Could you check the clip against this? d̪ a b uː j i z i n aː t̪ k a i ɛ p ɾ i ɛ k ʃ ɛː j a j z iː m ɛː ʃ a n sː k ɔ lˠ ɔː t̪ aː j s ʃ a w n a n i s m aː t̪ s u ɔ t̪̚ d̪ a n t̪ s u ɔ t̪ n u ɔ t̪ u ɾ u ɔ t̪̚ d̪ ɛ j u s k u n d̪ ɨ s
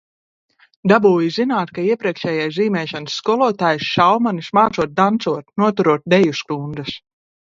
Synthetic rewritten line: d̪ a b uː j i z i n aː t̪ k a i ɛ p ɾ i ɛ k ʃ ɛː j a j z iː m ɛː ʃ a n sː k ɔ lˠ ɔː t̪ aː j s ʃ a w m a n i s m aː t̪ s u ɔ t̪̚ d̪ a n t̪ s u ɔ t̪ n u ɔ t̪ u ɾ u ɔ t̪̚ d̪ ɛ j u s k u n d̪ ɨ s